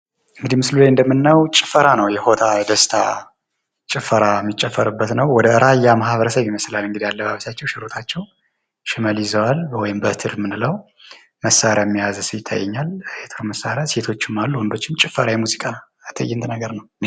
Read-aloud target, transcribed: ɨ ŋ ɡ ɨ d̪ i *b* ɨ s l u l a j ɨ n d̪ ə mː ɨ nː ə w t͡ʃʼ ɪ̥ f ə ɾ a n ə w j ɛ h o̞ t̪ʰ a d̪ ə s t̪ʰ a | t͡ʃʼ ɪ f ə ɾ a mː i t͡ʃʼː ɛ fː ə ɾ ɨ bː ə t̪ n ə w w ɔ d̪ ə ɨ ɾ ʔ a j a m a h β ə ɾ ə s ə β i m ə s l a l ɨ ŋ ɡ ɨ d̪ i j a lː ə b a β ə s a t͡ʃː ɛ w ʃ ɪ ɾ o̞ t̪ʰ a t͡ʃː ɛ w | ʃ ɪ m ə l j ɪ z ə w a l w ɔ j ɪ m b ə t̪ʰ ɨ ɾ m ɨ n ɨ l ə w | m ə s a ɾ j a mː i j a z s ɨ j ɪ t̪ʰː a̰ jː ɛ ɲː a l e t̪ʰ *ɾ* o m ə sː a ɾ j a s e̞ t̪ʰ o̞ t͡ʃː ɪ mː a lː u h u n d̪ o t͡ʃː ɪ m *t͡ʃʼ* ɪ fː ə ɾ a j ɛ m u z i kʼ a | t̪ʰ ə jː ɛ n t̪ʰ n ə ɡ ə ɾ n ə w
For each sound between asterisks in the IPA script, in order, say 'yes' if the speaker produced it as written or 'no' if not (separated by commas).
no, yes, yes